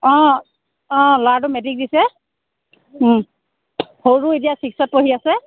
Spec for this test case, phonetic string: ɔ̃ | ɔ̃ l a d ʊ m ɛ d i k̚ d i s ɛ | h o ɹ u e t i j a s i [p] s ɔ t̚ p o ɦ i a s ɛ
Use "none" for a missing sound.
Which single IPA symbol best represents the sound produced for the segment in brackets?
k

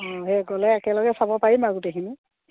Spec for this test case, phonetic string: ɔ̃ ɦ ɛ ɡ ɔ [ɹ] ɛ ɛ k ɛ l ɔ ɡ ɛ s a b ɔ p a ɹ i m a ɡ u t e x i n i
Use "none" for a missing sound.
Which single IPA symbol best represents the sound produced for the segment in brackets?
l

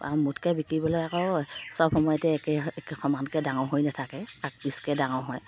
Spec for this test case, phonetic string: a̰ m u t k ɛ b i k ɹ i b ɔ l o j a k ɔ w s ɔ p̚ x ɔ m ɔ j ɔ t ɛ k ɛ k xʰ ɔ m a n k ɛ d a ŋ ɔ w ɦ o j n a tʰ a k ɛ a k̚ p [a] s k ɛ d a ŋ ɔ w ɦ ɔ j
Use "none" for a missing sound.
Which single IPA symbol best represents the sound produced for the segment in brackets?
i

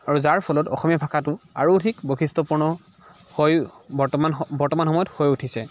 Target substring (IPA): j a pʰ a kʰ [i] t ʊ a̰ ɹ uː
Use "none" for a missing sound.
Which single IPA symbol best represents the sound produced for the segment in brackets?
a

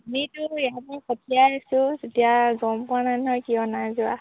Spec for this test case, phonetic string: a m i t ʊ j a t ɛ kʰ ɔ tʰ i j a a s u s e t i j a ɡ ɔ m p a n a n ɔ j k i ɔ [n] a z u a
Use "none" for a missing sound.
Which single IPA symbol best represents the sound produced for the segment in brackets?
n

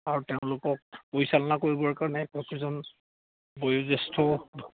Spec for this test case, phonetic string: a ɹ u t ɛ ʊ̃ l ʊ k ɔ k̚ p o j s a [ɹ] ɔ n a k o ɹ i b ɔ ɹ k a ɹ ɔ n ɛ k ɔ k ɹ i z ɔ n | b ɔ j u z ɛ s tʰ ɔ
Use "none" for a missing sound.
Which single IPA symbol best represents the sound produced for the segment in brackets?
l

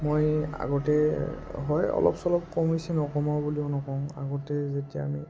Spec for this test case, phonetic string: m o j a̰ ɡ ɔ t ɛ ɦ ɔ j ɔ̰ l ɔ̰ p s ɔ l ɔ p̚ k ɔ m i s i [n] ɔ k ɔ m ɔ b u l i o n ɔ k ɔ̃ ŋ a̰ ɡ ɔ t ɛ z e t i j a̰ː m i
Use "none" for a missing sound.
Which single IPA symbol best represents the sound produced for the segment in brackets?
n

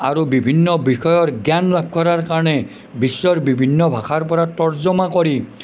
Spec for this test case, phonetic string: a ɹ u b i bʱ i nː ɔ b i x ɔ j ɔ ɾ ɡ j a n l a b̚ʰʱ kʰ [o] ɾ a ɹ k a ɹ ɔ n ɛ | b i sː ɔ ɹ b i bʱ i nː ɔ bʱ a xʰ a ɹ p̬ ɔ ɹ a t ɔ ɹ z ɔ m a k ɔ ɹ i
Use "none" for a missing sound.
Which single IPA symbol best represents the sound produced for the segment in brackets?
ɔ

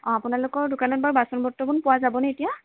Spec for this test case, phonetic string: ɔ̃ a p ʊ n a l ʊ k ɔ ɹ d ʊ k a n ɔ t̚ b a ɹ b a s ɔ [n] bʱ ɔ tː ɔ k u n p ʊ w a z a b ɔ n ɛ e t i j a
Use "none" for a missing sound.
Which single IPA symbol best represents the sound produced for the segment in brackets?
n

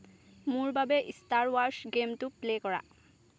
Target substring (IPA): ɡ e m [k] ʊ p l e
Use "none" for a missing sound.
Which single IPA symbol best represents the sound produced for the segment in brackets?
t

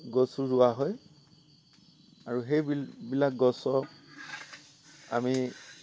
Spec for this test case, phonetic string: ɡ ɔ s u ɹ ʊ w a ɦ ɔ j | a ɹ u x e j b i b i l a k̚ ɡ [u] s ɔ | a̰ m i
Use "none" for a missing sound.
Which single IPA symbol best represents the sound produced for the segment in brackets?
ɔ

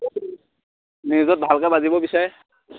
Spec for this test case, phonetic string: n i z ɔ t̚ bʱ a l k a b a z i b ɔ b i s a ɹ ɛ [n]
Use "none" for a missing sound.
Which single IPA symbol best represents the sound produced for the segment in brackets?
none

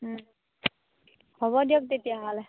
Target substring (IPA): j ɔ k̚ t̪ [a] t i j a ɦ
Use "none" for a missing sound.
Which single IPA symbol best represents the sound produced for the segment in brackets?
e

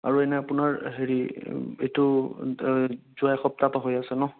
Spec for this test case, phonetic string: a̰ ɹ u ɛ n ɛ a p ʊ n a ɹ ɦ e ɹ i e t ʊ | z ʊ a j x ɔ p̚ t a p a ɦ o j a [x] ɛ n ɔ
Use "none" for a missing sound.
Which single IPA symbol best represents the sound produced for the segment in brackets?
s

